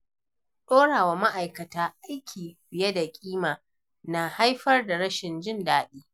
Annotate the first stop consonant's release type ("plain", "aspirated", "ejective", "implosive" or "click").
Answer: implosive